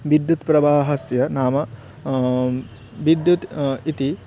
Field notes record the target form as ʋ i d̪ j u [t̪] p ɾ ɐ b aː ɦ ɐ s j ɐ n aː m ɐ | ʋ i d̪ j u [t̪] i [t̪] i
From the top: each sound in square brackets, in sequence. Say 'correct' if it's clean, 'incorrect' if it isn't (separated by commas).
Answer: correct, correct, correct